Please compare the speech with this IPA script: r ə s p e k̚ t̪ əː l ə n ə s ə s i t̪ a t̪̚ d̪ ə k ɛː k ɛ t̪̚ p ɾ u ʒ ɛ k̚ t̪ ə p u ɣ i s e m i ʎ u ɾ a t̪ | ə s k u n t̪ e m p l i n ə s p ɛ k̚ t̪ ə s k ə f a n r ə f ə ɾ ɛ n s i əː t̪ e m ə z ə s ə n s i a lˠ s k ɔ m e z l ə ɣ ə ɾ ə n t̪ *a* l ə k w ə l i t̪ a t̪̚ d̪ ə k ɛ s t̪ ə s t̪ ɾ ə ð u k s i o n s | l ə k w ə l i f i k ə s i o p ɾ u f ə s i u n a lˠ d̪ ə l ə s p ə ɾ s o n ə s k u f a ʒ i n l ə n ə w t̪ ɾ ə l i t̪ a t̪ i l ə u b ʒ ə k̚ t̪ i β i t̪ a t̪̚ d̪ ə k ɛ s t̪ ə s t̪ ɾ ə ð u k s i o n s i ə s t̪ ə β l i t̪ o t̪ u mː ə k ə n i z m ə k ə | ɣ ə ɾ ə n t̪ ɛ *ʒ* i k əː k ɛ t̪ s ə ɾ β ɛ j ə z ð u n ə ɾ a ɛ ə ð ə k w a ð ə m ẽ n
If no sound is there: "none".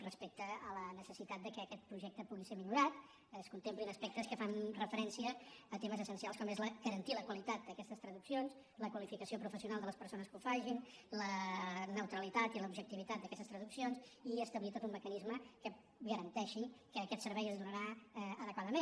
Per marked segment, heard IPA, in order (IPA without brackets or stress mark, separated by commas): i, ʃ